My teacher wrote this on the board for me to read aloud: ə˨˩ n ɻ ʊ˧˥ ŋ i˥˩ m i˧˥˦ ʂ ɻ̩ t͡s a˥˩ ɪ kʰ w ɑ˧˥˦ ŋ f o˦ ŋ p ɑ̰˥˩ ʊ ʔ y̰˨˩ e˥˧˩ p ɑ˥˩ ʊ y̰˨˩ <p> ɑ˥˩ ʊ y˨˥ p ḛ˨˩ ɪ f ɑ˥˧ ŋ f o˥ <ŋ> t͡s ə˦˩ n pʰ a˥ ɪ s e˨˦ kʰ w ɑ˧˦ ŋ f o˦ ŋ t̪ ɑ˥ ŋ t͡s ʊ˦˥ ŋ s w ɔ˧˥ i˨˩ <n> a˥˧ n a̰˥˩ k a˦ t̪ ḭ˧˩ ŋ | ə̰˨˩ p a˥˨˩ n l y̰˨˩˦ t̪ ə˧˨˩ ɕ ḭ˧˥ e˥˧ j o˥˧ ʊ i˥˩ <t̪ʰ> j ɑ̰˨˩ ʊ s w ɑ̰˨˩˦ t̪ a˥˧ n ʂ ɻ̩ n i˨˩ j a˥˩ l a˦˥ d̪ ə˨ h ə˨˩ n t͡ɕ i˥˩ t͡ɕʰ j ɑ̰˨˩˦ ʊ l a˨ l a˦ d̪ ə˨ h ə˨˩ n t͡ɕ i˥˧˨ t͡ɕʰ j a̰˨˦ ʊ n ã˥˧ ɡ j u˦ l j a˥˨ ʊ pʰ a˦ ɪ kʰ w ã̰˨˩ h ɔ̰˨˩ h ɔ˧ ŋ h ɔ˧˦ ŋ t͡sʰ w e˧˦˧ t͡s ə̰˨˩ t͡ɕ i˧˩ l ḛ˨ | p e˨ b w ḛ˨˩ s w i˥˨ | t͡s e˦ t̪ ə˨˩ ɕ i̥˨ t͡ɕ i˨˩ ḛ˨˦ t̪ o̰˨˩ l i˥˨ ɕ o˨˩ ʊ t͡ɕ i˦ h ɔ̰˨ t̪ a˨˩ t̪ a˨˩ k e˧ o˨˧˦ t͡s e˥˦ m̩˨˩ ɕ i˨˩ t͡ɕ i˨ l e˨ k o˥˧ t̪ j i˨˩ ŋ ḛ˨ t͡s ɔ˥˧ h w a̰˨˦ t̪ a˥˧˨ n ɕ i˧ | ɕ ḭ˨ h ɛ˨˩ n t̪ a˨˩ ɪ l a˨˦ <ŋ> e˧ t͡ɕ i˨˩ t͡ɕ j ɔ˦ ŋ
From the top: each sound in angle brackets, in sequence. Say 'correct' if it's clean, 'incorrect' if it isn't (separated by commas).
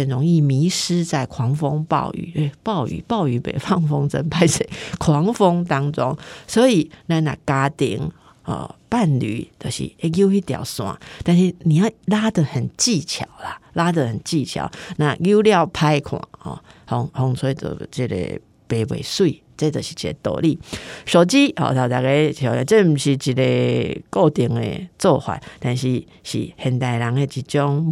correct, correct, correct, incorrect, correct